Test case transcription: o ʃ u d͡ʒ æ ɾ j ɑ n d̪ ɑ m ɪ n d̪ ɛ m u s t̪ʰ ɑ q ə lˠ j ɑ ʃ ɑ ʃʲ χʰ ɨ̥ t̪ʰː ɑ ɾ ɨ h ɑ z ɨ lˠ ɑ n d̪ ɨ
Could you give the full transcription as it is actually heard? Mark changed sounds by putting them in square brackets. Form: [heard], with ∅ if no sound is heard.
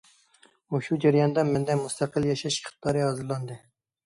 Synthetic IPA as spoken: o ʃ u d͡ʒ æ ɾ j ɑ n d̪ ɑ m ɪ n d̪ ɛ m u s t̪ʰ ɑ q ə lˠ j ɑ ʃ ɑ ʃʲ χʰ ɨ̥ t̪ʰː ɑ ɾ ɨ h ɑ z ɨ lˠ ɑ n d̪ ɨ